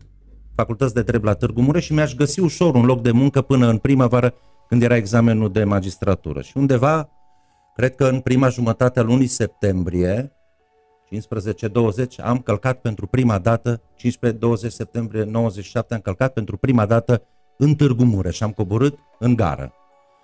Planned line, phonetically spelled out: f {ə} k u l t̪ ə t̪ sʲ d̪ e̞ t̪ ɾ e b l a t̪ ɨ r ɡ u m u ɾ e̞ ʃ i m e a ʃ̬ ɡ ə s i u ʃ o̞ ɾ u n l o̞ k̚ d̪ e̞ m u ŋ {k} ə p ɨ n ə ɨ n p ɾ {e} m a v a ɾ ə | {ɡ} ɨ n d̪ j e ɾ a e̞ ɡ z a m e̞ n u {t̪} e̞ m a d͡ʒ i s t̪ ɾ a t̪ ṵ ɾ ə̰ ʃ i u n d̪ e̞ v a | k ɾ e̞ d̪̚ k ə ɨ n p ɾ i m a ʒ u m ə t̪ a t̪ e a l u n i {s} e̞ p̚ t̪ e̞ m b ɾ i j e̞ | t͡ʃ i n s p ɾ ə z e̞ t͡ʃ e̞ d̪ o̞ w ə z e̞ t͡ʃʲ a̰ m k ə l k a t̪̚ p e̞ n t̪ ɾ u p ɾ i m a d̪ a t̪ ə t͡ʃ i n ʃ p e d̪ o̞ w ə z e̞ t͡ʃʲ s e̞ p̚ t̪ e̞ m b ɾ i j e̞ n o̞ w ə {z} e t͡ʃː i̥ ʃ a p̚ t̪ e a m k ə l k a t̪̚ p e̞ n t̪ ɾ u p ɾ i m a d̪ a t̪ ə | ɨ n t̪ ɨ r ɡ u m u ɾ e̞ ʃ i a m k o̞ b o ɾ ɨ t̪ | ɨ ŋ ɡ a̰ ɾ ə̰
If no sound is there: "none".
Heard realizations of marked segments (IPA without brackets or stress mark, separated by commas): a, k, i, k, d̪, s, z